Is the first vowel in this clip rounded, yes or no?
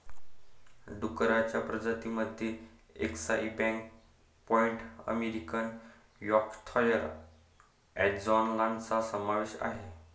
yes